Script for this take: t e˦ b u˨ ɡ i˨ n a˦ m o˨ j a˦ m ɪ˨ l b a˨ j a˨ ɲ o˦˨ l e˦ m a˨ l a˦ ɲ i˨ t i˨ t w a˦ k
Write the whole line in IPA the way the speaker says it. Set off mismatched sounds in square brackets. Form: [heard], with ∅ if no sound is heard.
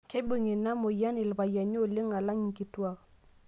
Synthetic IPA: [k] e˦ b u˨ [ŋ] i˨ n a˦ m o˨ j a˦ [n] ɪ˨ l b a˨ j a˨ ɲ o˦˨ l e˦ [ŋ] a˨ l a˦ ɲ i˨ [k] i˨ t w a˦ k